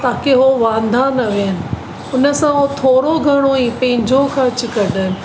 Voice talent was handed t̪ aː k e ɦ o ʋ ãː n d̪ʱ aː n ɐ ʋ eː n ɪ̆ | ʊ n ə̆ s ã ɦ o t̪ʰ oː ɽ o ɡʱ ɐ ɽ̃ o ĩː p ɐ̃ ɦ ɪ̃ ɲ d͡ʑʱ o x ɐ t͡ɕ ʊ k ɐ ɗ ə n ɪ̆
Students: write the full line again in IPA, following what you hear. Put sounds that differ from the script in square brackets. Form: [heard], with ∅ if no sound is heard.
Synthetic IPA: t̪ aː k e ɦ o ʋ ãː n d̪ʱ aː n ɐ ʋ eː n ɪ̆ | ʊ n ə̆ s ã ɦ o t̪ʰ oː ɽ o ɡʱ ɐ ɽ̃ o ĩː p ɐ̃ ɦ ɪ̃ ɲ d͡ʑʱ o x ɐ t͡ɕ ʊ k ɐ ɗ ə n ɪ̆

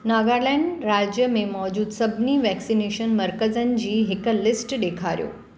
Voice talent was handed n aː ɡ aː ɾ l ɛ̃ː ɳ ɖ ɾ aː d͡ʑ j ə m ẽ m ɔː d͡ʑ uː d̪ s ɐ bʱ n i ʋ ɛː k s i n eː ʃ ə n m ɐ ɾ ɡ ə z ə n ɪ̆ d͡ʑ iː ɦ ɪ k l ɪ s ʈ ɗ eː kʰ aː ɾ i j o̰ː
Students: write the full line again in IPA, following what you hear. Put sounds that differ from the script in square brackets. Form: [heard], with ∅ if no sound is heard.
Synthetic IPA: n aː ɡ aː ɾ l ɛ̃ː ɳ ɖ ɾ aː d͡ʑ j ə m ẽ m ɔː d͡ʑ uː d̪ s ɐ bʱ n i ʋ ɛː k s i n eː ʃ ə n m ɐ ɾ [k] ə z ə n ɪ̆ d͡ʑ iː ɦ ɪ k l ɪ s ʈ ɗ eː kʰ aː ɾ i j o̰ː

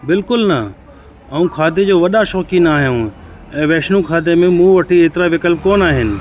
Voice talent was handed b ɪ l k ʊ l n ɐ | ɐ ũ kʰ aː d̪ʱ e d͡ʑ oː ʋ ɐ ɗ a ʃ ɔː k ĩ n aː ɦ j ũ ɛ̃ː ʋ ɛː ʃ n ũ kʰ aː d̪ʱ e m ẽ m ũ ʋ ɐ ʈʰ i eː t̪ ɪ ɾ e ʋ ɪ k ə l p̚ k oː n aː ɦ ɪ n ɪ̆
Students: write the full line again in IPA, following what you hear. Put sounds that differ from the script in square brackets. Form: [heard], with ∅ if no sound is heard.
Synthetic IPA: b ɪ l k ʊ l n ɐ | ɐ ũ kʰ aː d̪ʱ e d͡ʑ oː ʋ ɐ ɗ a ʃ ɔː k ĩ n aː ɦ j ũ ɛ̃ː ʋ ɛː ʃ n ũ kʰ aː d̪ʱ e m ẽ m ũ ʋ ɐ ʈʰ i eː t̪ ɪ ɾ [a] ʋ ɪ k ə l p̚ k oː n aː ɦ ɪ n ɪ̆

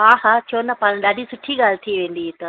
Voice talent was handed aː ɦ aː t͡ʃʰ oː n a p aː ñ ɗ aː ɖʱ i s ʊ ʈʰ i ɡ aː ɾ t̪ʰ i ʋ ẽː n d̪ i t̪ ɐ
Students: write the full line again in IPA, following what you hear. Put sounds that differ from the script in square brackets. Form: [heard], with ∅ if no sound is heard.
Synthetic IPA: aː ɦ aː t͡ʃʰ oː n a p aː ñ ɗ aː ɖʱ i s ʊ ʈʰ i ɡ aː [l] t̪ʰ i ʋ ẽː n d̪ i t̪ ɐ

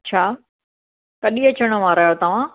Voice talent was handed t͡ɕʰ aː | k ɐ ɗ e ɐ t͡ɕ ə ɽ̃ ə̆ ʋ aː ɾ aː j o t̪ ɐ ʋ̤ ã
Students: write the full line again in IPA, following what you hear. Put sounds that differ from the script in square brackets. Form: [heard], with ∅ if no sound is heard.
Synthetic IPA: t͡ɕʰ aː | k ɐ ɗ [i] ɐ t͡ɕ ə ɽ̃ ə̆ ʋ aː ɾ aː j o t̪ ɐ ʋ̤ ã

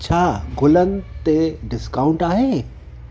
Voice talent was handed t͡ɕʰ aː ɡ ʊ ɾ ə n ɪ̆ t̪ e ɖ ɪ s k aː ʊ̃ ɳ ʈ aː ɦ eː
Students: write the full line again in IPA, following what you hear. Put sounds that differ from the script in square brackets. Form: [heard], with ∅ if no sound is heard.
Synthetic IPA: t͡ɕʰ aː ɡ ʊ [l] ə n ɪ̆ t̪ e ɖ ɪ s k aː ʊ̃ ɳ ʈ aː ɦ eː

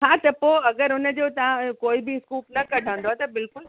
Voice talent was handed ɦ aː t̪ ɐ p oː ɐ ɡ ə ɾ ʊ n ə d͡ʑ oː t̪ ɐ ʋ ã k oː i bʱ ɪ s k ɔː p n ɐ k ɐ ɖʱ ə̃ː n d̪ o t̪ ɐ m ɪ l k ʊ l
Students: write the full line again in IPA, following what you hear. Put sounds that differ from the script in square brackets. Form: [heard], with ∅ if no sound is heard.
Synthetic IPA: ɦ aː t̪ ɐ p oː ɐ ɡ ə ɾ ʊ n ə d͡ʑ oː t̪ ɐ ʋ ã k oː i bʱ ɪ s k [uː] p n ɐ k ɐ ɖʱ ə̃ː n d̪ o t̪ ɐ [b] ɪ l k ʊ l

